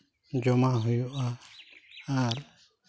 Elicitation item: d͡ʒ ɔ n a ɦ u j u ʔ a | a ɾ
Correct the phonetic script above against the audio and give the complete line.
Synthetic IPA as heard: d͡ʒ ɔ m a ɦ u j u ʔ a | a ɾ